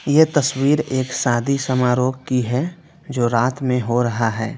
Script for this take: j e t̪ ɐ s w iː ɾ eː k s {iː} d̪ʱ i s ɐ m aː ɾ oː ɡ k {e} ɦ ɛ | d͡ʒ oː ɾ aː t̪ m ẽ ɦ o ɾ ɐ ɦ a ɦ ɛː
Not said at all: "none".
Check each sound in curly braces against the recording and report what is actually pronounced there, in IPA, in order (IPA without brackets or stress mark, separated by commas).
aː, i